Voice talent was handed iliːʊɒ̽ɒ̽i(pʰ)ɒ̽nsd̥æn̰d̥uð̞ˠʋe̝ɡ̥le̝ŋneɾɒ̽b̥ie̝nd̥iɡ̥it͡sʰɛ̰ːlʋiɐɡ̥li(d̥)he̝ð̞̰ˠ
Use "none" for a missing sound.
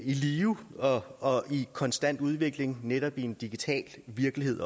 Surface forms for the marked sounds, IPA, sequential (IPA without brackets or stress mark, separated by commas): kʰ, none